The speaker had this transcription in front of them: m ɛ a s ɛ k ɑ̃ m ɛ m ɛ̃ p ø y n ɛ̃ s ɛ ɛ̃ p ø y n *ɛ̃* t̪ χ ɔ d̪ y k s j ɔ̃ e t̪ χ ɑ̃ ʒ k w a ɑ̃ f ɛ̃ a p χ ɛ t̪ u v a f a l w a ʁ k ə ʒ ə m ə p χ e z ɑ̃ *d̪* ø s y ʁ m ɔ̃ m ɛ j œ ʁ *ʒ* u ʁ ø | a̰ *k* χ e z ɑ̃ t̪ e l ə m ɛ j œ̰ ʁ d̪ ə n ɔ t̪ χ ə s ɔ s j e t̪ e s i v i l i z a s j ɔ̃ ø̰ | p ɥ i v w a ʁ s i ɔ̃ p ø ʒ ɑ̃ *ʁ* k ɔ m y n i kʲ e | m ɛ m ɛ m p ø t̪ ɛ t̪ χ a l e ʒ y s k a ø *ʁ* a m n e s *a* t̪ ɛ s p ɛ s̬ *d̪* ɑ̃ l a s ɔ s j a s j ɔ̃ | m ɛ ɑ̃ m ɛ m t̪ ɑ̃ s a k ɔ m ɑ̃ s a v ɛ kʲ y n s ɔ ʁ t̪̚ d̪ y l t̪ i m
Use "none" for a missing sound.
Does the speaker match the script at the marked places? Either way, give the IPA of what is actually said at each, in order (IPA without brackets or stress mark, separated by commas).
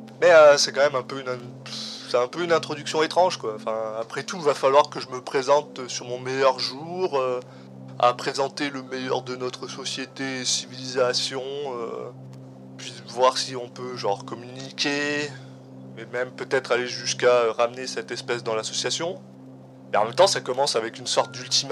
ɛ̃, t̪, ʒ, p, ʁ, ʁ, ɛ, d̪